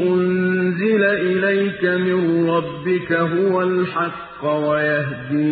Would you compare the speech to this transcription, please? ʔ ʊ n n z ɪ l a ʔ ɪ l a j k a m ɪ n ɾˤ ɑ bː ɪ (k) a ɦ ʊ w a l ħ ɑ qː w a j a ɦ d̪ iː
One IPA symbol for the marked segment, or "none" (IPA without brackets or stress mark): k